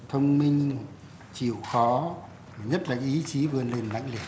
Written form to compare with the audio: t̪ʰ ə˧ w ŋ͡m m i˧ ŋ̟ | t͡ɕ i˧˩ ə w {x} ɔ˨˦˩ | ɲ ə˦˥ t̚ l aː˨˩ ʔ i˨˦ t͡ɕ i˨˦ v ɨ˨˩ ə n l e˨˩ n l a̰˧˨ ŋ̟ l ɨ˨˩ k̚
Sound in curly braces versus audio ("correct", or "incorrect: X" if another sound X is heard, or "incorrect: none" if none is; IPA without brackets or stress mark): correct